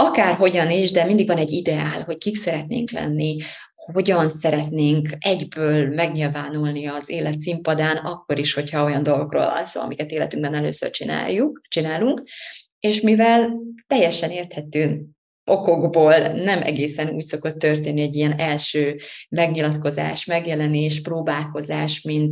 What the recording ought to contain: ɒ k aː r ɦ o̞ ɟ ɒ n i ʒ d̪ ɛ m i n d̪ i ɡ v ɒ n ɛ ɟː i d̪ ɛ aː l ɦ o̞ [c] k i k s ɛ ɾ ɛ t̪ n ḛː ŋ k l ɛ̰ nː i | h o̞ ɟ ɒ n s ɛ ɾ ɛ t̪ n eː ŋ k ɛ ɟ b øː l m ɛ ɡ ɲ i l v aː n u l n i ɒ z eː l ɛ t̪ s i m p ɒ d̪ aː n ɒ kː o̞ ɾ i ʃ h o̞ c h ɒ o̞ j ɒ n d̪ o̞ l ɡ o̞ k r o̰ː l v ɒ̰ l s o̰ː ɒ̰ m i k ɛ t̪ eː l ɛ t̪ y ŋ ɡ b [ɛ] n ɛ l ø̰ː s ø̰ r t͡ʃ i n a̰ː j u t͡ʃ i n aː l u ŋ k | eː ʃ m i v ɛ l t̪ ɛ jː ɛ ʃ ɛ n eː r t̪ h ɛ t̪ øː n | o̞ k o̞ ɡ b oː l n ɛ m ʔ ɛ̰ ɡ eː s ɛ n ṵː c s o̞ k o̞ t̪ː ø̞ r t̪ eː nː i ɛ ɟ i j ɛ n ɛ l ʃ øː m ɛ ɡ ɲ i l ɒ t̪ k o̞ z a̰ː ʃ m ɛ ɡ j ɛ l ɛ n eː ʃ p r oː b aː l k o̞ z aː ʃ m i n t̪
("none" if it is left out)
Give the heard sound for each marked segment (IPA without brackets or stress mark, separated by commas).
c, ɛ